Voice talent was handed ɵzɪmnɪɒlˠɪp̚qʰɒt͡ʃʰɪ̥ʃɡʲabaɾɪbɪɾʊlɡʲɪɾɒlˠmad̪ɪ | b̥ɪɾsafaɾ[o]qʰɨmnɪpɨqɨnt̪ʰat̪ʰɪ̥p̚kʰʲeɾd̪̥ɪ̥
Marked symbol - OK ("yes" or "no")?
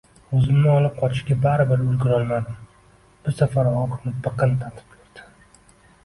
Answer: no